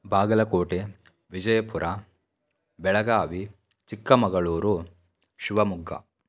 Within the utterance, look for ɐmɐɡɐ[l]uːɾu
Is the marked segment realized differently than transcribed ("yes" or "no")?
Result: yes